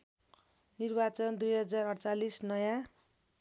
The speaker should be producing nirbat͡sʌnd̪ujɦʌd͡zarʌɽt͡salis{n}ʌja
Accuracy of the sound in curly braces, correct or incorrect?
correct